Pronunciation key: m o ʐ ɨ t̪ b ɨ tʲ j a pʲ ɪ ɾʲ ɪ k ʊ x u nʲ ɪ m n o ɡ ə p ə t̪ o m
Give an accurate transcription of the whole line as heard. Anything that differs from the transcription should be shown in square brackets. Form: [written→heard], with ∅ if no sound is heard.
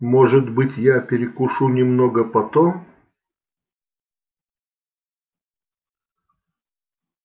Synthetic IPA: m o ʐ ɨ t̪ b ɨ tʲ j a pʲ ɪ ɾʲ ɪ k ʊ [x→ʂ] u nʲ ɪ m n o ɡ ə p [ə→ɐ] t̪ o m